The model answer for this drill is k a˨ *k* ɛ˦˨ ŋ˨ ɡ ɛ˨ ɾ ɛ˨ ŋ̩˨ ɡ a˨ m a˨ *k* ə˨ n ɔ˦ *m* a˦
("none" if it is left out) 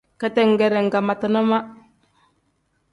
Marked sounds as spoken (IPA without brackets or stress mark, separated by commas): t, t, m